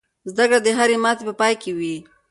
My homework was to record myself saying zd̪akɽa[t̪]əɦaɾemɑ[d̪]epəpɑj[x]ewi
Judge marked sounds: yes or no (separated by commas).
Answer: no, no, no